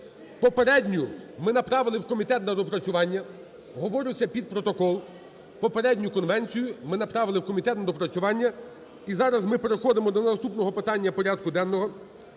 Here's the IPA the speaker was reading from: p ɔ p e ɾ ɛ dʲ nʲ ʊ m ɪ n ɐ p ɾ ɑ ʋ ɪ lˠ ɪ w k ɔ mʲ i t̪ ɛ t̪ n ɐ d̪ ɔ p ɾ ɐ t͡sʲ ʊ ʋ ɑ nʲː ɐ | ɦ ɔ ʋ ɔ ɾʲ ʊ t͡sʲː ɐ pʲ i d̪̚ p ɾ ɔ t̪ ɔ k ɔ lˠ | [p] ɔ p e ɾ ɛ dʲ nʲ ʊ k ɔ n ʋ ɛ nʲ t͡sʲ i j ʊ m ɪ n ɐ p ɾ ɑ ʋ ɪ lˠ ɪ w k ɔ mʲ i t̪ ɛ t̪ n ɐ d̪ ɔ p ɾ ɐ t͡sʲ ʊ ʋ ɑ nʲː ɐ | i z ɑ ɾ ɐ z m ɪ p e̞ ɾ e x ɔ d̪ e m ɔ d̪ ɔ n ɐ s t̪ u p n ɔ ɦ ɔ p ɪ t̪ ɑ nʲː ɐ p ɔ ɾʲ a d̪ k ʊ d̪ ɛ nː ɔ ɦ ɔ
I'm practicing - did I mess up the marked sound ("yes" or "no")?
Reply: no